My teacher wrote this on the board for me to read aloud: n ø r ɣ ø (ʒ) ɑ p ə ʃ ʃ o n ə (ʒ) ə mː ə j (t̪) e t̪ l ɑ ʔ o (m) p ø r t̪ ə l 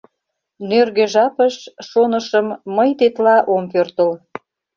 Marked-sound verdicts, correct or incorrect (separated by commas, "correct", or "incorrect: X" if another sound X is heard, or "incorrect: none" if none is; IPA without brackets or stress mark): correct, incorrect: ʃ, correct, correct